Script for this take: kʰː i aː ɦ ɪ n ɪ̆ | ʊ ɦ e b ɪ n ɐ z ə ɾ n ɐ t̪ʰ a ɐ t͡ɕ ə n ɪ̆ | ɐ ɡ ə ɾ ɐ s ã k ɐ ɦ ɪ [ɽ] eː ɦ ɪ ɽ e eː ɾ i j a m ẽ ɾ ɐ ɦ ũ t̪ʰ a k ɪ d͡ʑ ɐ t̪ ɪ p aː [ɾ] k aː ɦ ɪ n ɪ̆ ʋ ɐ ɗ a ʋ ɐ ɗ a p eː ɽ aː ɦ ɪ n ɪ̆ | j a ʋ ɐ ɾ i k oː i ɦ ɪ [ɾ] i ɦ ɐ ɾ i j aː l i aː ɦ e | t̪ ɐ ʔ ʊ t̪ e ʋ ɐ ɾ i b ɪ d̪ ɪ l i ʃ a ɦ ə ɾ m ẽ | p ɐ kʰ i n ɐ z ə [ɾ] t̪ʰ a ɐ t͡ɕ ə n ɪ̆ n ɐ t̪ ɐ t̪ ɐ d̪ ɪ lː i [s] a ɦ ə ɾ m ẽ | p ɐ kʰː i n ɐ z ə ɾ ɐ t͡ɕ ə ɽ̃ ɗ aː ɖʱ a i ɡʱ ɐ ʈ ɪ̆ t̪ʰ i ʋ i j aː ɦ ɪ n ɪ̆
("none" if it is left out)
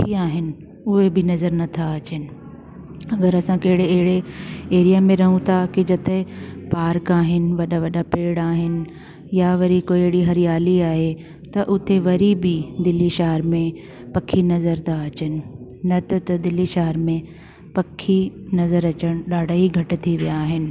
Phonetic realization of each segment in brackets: ɽ, ɾ, ɽ, ɾ, ʃ

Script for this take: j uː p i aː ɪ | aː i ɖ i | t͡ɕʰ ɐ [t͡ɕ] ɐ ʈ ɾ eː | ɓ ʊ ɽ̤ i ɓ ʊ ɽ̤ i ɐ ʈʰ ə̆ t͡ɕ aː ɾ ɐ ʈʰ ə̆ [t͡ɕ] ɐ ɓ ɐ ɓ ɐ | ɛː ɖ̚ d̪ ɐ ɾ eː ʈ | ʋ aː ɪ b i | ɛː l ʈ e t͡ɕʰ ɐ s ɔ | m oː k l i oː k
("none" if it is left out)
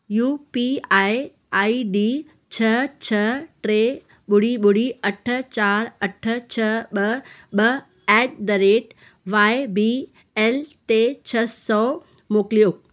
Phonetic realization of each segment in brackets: t͡ɕʰ, t͡ɕʰ

